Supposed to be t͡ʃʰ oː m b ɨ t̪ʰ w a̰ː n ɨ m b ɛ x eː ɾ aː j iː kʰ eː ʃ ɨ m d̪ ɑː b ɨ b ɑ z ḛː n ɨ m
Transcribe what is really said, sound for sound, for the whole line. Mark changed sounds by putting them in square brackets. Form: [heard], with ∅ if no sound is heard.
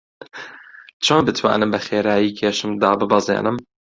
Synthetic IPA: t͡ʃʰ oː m b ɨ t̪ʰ w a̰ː n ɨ m b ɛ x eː ɾ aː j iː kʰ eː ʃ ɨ m d̪ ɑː b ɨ b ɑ z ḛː n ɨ m